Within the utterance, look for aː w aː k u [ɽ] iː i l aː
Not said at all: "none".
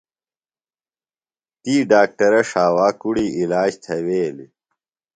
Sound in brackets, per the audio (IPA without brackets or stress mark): ɽ